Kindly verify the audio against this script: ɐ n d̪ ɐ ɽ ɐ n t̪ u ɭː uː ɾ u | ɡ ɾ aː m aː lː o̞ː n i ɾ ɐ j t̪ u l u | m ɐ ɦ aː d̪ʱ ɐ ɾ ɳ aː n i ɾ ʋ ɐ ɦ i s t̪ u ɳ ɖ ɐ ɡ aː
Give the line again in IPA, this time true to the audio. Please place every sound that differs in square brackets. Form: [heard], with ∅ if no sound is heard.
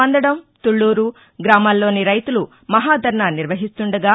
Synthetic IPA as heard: ɐ n d̪ ɐ ɽ ɐ [m] t̪ u ɭː uː ɾ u | ɡ ɾ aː m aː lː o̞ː n i ɾ ɐ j t̪ u l u | m ɐ ɦ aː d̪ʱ ɐ ɾ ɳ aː n i ɾ ʋ ɐ ɦ i s t̪ u ɳ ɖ ɐ ɡ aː